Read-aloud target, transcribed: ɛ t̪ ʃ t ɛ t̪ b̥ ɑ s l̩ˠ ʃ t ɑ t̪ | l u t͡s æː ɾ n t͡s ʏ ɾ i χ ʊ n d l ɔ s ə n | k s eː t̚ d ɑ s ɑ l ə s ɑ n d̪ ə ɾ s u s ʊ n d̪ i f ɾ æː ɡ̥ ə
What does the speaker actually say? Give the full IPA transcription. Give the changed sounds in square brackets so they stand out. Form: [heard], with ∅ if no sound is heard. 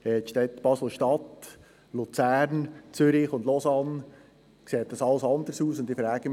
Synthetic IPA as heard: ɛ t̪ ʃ t ɛ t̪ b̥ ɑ s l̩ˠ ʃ t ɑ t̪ | l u t͡s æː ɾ n t͡s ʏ ɾ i χ ʊ n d l ɔ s [ɑ] n | k s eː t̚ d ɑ s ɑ l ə s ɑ n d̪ ə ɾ s [uː] s ʊ n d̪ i f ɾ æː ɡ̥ ə